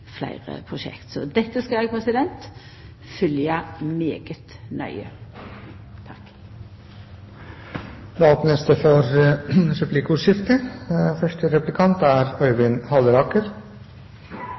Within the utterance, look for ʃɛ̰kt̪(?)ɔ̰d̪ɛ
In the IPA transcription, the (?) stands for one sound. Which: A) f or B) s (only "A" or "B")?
B